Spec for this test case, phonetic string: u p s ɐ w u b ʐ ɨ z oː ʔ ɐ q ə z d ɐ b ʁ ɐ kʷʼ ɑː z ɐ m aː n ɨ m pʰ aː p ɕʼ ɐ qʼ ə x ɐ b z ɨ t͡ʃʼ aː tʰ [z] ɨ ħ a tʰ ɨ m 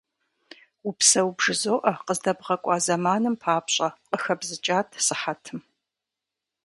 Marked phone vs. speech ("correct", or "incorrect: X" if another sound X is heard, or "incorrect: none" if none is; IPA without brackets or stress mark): incorrect: s